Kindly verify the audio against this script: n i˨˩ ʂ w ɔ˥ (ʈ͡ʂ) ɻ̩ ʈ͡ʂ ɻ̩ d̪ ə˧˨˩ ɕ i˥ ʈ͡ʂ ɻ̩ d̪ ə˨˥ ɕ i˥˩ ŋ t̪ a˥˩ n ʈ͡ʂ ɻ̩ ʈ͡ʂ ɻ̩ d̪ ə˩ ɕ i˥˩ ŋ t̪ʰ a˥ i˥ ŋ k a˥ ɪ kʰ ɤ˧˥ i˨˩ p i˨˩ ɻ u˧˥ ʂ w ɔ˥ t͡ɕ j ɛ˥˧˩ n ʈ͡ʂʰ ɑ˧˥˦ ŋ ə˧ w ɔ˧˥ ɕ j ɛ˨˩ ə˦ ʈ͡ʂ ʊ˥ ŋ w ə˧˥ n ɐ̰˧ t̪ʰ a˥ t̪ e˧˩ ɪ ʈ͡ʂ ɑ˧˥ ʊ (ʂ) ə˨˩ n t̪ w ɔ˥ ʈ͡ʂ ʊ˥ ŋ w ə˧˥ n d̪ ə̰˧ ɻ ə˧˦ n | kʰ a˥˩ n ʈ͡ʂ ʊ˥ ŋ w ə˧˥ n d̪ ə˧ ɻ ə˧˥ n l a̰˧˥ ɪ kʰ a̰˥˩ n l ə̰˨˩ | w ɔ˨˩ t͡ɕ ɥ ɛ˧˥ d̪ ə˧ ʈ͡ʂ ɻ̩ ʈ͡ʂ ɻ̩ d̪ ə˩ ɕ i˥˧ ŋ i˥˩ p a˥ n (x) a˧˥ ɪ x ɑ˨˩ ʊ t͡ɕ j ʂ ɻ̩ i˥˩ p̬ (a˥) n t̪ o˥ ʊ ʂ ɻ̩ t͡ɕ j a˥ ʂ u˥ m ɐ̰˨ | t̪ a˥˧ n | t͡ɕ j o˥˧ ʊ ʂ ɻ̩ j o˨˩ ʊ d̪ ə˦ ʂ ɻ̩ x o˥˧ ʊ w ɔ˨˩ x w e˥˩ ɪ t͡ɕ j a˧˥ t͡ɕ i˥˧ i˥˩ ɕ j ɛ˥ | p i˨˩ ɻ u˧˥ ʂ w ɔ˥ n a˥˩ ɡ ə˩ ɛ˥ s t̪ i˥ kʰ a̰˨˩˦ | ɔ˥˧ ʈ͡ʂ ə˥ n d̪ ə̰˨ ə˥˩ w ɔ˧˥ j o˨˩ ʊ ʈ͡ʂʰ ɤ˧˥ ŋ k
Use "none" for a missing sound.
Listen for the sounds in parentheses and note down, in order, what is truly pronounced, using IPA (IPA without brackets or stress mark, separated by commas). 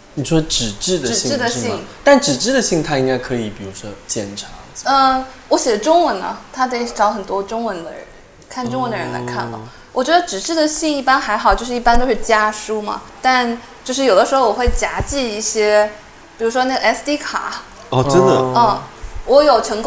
ʈ͡ʂ, x, x, a˥